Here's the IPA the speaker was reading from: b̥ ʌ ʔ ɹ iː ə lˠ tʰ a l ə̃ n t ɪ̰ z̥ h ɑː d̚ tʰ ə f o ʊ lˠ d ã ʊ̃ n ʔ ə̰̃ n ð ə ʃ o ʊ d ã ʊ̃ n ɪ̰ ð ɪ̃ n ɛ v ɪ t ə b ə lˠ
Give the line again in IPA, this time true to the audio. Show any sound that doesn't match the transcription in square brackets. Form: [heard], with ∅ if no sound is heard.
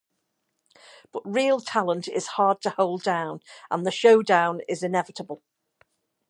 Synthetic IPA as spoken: b̥ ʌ ʔ ɹ iː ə lˠ tʰ a l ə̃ n t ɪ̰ z̥ h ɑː d̚ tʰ ə [h] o ʊ lˠ d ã ʊ̃ n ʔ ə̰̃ n ð ə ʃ o ʊ d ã ʊ̃ n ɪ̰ [z] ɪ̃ n ɛ v ɪ t ə b ə lˠ